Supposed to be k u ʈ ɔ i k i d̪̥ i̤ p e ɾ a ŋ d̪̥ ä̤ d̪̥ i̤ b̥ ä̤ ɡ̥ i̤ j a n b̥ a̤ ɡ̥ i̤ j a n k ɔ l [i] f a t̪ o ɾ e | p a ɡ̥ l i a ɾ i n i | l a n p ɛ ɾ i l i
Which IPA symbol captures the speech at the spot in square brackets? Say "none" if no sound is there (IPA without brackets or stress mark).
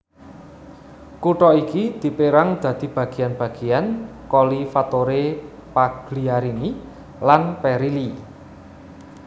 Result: i